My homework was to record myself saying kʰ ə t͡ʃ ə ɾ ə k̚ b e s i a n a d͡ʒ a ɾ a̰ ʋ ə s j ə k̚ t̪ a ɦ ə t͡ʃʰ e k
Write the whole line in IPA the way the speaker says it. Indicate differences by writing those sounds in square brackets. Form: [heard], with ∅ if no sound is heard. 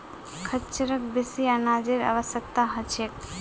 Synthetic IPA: kʰ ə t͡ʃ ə ɾ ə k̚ b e s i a n a d͡ʒ [e] ɾ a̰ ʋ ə s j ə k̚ t̪ a ɦ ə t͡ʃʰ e k

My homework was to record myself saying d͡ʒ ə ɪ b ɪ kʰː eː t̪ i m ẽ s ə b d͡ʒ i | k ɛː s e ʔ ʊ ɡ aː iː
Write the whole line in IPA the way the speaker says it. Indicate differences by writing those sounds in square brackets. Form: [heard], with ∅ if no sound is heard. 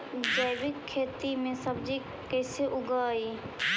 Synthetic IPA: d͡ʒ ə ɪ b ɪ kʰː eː t̪ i m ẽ s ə b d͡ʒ i | k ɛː s e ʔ ʊ ɡ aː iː

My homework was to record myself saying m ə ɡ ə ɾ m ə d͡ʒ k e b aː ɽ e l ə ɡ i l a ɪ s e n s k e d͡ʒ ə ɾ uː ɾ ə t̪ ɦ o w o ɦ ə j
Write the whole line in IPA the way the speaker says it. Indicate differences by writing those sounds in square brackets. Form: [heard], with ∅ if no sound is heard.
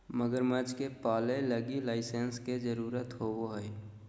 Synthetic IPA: m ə ɡ ə ɾ m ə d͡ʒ k e [p] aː [l] e l ə ɡ i l a ɪ s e n s k e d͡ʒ ə ɾ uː ɾ ə t̪ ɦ o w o ɦ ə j

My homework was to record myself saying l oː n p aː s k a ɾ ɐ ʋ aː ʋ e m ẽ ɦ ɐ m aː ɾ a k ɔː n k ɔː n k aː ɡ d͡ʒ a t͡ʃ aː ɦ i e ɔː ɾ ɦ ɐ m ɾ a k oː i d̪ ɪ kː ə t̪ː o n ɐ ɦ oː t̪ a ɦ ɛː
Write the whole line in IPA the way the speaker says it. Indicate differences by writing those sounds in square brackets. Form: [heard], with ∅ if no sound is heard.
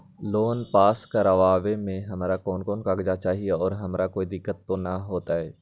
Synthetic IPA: l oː n p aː s k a ɾ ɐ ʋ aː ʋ e m ẽ ɦ ɐ m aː ɾ a k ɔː n k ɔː n k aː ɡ d͡ʒ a t͡ʃ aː ɦ i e ɔː ɾ ɦ ɐ m ɾ a k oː i d̪ ɪ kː ə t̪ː o n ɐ ɦ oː t̪ a ɦ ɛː

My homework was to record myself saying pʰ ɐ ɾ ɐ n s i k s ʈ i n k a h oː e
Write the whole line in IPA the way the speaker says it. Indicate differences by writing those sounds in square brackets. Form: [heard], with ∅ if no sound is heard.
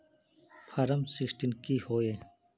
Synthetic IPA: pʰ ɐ ɾ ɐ [m] s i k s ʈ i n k [i] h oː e

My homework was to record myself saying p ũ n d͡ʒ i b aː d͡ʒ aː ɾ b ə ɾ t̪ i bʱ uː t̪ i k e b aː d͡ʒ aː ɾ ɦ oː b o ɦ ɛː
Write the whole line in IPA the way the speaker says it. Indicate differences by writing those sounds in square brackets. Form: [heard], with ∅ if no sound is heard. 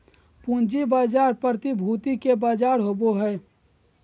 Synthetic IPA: p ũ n d͡ʒ i b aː d͡ʒ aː ɾ [p] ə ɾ t̪ i bʱ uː t̪ i k e b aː d͡ʒ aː ɾ ɦ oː b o ɦ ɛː

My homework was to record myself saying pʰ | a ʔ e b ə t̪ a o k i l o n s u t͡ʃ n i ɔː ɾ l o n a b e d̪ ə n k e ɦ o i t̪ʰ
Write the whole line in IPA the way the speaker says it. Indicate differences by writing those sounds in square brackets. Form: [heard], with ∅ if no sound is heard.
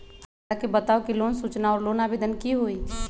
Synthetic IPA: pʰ | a [k] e b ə t̪ a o k i l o n s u t͡ʃ n [a] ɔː ɾ l o n a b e d̪ ə n k [i] ɦ o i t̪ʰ

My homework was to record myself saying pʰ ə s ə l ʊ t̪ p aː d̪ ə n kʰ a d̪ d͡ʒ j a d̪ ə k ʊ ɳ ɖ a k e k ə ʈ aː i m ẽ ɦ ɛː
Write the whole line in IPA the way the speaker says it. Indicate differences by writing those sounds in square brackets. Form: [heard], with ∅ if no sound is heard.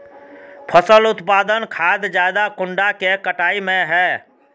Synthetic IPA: pʰ ə s ə l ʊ t̪ p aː d̪ ə n kʰ a d̪ d͡ʒ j a d̪ [a] k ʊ ɳ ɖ a k e k ə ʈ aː i m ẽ ɦ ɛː

